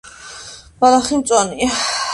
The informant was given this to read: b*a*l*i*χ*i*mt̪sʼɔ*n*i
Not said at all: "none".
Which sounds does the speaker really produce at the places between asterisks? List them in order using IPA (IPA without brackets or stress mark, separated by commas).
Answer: a, a, i, n